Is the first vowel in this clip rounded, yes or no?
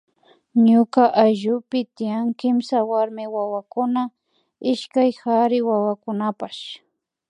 yes